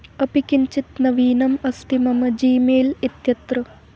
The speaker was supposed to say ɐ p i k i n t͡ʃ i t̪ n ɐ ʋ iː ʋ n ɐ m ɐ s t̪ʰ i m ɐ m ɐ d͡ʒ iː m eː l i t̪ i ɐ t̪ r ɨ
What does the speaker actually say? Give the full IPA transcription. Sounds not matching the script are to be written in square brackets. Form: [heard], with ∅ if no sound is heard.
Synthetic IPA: ɐ p i k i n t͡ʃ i t̪ n ɐ ʋ iː [∅] n ɐ m ɐ s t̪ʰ i m ɐ m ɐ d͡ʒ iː m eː l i t̪ [j] ɐ t̪ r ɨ